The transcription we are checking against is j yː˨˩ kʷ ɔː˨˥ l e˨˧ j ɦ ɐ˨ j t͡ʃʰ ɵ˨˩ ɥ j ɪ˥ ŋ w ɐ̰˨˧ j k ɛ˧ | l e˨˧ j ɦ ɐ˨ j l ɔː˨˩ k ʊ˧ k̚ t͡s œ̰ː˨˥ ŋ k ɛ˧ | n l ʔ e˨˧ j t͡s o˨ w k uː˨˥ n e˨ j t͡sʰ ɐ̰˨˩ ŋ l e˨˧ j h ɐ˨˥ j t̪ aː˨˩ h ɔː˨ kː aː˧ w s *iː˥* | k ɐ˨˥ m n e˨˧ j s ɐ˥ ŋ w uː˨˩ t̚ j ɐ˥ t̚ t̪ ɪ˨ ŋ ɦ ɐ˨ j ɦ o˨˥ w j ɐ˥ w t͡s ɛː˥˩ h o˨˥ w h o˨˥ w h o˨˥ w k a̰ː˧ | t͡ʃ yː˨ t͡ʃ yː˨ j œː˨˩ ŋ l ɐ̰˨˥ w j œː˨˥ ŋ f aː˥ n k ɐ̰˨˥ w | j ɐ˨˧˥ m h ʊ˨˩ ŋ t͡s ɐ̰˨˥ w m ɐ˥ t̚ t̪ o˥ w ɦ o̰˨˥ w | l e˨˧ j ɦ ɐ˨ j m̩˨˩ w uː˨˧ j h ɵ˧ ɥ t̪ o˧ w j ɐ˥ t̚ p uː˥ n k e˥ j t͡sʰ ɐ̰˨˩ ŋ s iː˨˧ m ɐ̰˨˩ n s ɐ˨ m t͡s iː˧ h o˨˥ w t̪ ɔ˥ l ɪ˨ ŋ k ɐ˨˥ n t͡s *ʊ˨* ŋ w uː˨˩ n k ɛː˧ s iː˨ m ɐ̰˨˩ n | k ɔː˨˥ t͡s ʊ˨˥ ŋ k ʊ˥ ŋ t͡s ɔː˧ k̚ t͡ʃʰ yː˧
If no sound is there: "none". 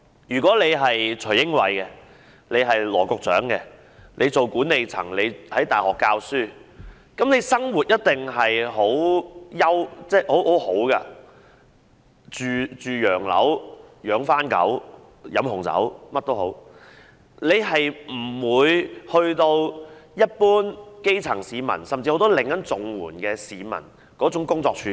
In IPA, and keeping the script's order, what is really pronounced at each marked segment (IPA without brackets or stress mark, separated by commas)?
yː˥, ʊ˨